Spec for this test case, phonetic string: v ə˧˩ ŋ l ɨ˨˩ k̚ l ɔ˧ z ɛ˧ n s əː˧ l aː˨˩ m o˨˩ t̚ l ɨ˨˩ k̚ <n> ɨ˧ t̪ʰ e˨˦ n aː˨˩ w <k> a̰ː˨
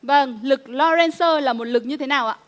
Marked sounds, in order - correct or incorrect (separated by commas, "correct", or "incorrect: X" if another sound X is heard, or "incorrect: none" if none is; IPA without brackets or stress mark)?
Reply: incorrect: ɲ, incorrect: ʔ